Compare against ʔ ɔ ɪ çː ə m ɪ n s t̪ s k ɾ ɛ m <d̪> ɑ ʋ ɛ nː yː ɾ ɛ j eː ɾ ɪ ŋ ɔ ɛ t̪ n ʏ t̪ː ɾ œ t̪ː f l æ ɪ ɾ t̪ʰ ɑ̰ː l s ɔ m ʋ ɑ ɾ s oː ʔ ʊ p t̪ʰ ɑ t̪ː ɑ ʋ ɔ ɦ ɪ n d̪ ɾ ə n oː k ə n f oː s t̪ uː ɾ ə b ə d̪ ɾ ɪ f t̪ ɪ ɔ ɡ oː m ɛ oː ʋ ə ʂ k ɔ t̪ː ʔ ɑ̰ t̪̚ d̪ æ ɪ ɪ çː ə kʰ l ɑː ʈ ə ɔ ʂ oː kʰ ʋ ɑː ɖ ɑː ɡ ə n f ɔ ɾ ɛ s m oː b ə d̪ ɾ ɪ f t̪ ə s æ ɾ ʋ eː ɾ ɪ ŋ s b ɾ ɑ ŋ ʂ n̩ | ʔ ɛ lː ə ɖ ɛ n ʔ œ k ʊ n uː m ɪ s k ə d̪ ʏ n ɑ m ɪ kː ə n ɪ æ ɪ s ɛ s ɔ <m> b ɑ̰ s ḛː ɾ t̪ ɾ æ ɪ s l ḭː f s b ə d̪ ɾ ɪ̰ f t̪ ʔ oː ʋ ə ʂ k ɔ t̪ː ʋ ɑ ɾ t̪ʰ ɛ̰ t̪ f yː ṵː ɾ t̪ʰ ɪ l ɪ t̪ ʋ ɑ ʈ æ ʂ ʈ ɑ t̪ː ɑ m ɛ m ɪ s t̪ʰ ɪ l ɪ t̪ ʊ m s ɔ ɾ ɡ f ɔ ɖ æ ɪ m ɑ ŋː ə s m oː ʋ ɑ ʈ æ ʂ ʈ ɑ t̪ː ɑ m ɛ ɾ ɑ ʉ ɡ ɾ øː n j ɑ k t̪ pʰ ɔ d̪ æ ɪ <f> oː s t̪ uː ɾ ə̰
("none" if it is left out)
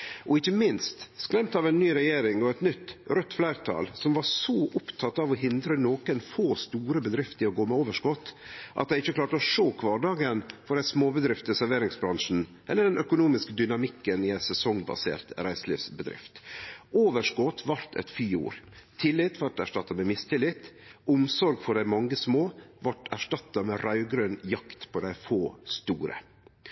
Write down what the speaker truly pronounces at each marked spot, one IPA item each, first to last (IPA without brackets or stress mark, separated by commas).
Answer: t̪, ŋ, f